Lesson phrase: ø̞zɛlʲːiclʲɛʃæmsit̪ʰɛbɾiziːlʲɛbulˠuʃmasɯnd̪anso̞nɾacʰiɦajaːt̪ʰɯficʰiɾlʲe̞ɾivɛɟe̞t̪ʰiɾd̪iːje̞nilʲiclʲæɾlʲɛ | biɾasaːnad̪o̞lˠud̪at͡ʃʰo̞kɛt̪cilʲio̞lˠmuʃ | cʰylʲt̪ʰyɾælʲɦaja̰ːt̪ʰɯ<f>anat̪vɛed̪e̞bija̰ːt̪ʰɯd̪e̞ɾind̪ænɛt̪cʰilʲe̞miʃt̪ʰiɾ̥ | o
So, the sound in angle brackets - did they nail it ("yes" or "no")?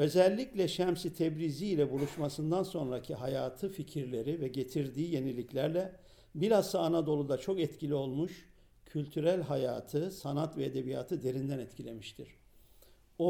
no